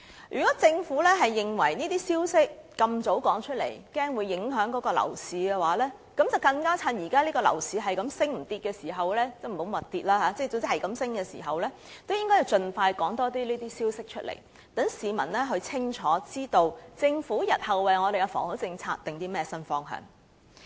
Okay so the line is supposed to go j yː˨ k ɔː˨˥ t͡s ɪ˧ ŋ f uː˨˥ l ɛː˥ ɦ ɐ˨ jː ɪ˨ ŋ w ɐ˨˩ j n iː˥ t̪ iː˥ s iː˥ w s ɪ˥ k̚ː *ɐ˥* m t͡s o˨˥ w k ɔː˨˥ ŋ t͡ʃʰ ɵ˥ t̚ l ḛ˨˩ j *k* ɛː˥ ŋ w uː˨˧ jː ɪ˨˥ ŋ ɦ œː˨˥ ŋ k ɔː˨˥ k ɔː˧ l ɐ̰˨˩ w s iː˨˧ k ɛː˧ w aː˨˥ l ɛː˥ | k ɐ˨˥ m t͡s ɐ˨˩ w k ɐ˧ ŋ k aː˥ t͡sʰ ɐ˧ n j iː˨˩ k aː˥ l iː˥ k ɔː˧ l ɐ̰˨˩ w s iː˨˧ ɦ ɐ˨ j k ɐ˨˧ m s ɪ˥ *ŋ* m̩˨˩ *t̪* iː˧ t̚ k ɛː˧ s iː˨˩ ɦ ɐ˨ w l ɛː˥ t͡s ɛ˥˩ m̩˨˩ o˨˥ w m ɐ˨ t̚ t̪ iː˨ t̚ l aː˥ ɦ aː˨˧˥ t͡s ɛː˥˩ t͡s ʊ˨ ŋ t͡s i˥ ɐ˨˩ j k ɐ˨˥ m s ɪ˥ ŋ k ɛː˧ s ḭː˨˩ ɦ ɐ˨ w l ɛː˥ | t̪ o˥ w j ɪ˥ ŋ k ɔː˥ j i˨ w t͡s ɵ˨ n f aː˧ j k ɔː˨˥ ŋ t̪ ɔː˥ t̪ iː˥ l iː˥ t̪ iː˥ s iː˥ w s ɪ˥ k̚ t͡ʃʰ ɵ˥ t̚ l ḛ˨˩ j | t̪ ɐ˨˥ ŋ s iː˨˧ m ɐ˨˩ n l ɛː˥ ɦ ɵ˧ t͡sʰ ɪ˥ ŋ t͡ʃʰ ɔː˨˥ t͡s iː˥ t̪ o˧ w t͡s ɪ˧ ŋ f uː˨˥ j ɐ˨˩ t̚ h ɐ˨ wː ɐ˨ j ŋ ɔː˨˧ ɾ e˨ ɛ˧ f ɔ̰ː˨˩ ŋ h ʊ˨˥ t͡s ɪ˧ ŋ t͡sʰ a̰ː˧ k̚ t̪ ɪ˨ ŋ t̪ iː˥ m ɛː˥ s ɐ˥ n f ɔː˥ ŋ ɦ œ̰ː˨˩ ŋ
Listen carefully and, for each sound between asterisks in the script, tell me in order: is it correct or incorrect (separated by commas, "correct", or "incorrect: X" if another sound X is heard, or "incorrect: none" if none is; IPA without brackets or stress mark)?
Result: incorrect: ɐ˧, correct, correct, correct